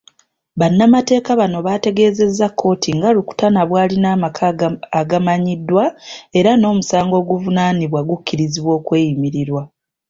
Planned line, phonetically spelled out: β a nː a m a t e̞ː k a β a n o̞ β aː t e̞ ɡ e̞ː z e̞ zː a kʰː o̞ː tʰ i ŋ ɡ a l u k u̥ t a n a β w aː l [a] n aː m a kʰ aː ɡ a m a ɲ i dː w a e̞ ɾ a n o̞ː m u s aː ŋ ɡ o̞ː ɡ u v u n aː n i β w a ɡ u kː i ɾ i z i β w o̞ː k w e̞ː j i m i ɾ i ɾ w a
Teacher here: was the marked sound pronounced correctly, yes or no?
no